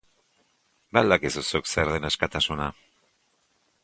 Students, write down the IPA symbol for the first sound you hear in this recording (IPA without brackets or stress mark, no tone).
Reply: b